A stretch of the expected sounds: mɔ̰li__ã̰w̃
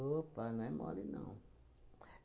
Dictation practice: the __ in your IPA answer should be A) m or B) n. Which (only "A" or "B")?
B